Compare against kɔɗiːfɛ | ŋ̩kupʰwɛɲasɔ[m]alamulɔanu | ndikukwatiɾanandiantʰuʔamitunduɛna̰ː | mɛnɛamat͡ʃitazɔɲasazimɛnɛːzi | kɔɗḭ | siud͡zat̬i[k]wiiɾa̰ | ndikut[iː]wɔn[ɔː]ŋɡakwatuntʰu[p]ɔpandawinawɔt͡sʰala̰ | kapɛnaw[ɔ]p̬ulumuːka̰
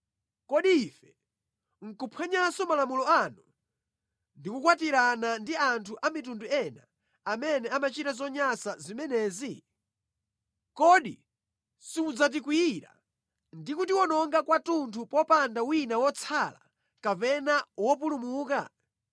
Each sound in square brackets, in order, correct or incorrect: correct, correct, incorrect: i, incorrect: ɔ, correct, correct

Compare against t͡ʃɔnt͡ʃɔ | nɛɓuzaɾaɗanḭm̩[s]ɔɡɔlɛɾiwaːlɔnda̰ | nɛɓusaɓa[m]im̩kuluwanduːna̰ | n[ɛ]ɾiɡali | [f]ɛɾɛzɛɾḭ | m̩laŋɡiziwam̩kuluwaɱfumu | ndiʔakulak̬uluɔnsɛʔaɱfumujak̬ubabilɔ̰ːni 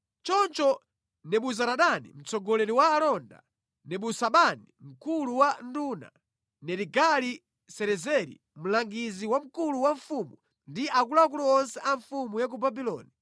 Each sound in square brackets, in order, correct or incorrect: incorrect: t͡s, incorrect: n, correct, incorrect: s

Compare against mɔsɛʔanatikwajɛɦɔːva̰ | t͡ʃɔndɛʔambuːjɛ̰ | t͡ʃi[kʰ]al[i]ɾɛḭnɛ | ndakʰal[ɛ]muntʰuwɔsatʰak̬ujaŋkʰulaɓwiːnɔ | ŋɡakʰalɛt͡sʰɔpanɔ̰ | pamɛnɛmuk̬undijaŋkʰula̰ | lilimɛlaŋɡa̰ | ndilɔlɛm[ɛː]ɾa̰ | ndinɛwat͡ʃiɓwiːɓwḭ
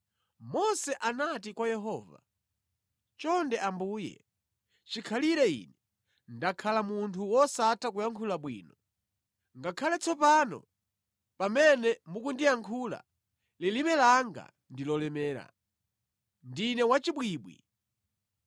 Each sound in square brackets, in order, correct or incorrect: correct, correct, incorrect: a, correct

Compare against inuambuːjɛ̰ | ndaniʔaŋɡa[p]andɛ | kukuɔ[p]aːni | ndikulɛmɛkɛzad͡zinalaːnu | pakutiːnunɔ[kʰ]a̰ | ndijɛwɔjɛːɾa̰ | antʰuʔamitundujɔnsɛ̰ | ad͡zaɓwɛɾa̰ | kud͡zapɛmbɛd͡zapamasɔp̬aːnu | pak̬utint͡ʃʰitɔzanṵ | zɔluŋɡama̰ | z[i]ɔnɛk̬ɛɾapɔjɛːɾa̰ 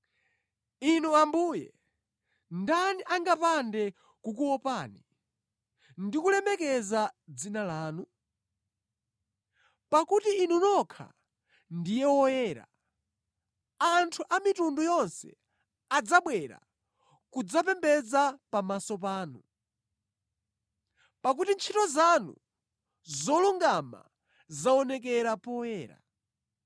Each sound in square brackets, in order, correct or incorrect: correct, correct, correct, incorrect: a

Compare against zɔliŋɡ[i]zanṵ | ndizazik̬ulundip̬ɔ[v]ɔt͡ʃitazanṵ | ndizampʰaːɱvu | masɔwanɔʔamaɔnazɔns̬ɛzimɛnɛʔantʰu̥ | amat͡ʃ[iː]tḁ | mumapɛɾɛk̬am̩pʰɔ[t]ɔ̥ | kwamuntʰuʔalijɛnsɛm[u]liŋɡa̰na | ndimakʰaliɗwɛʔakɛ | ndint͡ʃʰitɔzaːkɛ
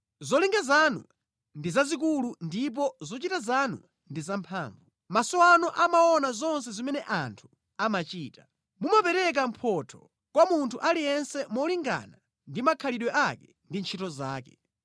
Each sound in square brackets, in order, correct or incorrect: incorrect: a, incorrect: z, correct, incorrect: tʰ, incorrect: ɔ

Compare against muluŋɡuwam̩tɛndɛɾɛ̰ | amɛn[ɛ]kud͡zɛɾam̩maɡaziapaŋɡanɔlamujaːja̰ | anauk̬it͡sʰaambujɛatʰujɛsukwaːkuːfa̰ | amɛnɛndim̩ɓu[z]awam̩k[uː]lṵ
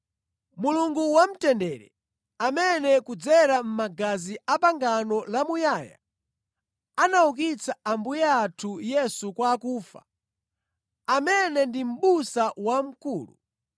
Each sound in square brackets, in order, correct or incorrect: correct, incorrect: s, correct

